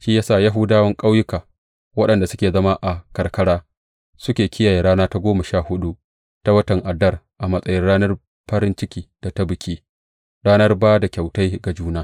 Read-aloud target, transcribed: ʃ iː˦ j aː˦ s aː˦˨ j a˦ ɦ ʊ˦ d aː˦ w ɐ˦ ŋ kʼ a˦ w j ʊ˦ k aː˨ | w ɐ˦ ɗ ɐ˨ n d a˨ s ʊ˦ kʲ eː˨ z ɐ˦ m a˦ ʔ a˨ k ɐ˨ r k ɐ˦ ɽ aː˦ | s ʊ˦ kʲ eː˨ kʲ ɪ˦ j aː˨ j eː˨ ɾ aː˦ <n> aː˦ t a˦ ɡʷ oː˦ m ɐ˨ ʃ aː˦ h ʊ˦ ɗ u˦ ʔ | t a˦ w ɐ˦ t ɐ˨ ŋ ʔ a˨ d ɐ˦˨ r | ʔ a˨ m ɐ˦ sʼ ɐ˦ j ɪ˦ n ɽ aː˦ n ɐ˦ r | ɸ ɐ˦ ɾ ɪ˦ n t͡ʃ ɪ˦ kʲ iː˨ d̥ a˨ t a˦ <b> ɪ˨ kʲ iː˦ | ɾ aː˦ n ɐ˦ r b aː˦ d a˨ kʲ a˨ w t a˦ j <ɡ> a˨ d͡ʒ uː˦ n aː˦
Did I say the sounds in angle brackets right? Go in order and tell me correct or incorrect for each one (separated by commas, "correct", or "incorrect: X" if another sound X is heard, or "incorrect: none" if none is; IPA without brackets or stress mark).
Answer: correct, correct, correct